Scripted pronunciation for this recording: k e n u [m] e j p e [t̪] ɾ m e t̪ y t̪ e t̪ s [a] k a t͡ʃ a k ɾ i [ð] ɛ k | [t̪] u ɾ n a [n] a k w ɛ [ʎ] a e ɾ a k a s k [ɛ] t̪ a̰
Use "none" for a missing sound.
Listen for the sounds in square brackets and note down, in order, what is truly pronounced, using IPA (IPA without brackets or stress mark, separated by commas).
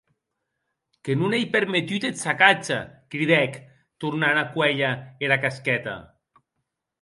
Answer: n, none, a, ð, t̪, n, ʎ, ɛ